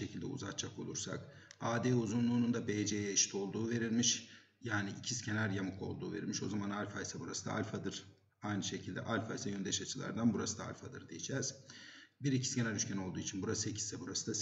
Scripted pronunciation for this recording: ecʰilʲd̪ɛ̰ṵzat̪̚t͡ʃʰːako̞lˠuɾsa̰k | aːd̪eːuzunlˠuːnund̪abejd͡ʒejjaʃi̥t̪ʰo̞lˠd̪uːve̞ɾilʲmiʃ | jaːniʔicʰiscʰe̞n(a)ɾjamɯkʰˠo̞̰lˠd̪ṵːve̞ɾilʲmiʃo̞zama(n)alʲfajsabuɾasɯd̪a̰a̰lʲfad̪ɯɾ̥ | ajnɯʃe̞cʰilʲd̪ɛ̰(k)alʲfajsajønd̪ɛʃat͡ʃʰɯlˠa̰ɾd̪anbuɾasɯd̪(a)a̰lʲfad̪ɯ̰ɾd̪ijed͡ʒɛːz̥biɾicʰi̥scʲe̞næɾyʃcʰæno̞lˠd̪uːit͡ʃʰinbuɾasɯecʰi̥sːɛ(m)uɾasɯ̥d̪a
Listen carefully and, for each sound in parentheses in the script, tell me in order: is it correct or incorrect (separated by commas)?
incorrect, correct, incorrect, correct, incorrect